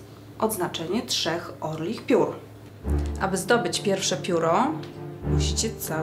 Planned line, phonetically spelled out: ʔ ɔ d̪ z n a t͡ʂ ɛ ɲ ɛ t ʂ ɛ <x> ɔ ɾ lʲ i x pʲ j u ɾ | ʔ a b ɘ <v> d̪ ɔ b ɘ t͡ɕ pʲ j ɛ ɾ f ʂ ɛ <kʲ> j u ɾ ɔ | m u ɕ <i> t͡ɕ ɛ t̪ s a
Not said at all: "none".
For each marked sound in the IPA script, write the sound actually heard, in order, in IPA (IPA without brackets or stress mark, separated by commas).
x, z, pʲ, i